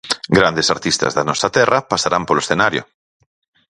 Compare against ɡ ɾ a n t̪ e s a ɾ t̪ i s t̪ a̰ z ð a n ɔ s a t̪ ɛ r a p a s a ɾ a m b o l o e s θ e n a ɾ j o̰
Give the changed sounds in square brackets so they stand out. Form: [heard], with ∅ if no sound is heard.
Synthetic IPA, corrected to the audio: ɡ ɾ a n [d̪] e s a ɾ t̪ i s t̪ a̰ z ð a n ɔ s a t̪ ɛ r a p a s a ɾ a m [p] o l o e s θ e n a ɾ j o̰